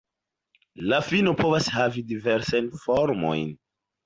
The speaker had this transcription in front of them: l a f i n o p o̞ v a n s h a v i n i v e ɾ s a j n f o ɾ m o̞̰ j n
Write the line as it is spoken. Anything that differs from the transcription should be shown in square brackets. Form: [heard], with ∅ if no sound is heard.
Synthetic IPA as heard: l a f i n o p o̞ v a [∅] s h a v i [d] i v e ɾ s a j n f o ɾ m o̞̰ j n